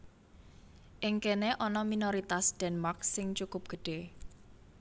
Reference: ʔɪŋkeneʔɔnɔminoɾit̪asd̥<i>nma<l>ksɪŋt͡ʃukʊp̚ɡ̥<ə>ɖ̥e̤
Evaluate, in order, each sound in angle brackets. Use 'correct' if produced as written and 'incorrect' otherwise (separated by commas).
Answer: incorrect, incorrect, correct